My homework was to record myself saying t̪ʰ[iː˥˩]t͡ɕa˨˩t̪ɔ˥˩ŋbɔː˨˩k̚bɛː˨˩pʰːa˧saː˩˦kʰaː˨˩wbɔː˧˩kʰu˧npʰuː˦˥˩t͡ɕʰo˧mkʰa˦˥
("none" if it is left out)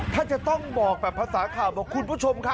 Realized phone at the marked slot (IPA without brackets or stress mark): aː˥˩